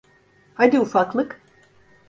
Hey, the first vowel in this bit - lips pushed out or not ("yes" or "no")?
no